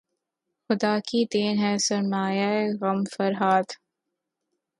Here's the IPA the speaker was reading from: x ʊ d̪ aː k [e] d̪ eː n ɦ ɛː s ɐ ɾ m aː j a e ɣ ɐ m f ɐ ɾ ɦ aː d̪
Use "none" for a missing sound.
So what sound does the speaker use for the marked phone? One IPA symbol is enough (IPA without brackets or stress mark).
i